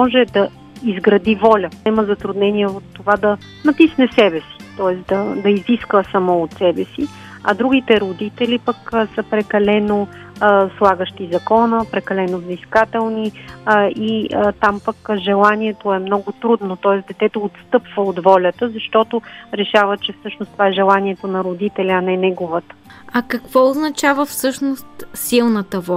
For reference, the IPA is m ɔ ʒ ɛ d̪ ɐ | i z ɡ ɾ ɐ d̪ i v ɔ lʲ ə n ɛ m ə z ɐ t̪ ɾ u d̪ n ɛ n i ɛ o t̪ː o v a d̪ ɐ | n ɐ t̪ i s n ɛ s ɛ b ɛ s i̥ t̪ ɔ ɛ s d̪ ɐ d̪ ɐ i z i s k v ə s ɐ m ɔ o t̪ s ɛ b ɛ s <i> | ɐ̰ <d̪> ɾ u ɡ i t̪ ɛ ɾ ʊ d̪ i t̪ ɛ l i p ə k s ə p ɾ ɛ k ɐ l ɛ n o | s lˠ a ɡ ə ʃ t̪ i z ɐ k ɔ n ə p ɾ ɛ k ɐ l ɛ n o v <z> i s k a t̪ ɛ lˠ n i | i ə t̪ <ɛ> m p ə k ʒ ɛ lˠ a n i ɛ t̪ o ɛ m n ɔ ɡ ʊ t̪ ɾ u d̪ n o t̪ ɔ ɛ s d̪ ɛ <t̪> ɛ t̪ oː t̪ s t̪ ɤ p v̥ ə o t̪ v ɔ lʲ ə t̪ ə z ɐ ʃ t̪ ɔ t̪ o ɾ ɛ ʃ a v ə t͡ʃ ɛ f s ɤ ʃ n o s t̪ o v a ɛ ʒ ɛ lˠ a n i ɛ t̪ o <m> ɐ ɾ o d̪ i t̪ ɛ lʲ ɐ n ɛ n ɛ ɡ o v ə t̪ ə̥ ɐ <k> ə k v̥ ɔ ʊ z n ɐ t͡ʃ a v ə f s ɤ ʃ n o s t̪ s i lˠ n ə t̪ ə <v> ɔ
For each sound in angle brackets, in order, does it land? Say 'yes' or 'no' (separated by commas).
yes, yes, yes, no, yes, no, yes, yes